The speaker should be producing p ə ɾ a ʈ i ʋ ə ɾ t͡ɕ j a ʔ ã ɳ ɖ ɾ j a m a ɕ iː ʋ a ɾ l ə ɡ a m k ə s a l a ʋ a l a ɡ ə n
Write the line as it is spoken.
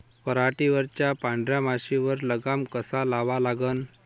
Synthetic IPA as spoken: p ə ɾ a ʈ i ʋ ə ɾ t͡ɕ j a p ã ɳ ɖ ɾ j a m a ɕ i ʋ ə ɾ l ə ɡ a m k ə s a l a ʋ a l a ɡ ə n

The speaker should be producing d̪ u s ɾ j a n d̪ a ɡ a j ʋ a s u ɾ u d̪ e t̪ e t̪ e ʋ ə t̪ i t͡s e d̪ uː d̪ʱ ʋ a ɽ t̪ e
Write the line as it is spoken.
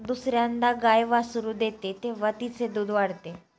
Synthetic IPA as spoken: d̪ u s ɾ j a n d̪ a ɡ a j ʋ a s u ɾ u d̪ e t̪ e t̪ e ʋ ə t̪ i t͡s e d̪ uː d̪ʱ ʋ a ɽ t̪ e

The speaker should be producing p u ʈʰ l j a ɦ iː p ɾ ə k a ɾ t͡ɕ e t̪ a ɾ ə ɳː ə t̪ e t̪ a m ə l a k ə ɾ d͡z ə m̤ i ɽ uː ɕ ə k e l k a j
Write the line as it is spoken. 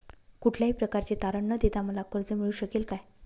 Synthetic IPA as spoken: k u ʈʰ l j a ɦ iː p ɾ ə k a ɾ t͡ɕ e t̪ a ɾ ə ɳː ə d̪ e t̪ a m ə l a k ə ɾ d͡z ə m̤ i ɭ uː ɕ ə k e l k a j

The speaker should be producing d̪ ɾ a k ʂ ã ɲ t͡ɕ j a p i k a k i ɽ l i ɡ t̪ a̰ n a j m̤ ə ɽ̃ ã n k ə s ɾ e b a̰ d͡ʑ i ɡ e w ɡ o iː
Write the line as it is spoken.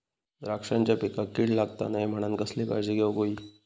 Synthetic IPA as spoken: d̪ ɾ a k ʂ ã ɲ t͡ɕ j a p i k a k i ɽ l a ɡ t̪ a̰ n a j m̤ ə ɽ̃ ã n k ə s l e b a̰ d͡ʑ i ɡ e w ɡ o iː

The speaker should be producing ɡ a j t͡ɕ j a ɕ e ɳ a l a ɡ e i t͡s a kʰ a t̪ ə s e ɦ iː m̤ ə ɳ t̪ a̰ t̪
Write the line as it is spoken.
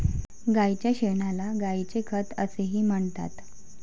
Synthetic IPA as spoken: ɡ a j t͡ɕ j a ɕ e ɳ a l a ɡ a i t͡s e kʰ ə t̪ ə s e ɦ iː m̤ ə ɳ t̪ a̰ t̪

